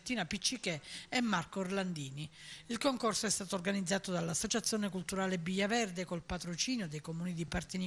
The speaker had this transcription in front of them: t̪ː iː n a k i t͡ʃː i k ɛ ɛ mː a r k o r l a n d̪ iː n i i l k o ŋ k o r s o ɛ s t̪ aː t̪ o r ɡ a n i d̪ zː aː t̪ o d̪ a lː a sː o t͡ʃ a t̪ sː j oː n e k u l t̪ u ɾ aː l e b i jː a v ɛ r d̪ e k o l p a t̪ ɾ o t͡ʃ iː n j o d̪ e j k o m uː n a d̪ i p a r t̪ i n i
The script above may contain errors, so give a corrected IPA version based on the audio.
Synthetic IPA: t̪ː iː n a p i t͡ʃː i k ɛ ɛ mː a r k o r l a n d̪ iː n i i l k o ŋ k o r s o ɛ s t̪ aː t̪ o r ɡ a n i d̪ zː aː t̪ o d̪ a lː a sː o t͡ʃ a t̪ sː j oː n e k u l t̪ u ɾ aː l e b i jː a v ɛ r d̪ e k o l p a t̪ ɾ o t͡ʃ iː n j o d̪ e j k o m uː n i d̪ i p a r t̪ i n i